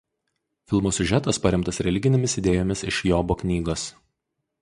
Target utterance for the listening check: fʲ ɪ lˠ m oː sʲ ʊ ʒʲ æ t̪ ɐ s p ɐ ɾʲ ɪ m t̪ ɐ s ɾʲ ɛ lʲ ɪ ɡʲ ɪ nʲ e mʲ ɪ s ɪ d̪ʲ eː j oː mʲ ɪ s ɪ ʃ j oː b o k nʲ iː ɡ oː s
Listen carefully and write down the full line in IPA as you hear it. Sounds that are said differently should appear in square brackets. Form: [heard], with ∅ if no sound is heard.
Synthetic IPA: fʲ ɪ lˠ m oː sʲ ʊ ʒʲ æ t̪ ɐ s p ɐ ɾʲ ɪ m t̪ ɐ s ɾʲ ɛ lʲ ɪ ɡʲ ɪ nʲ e mʲ ɪ s ɪ d̪ʲ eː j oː mʲ ɪ s ɪ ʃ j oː b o k nʲ iː ɡ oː s